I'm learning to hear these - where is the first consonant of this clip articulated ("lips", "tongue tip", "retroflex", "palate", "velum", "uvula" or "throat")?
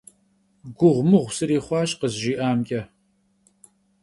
velum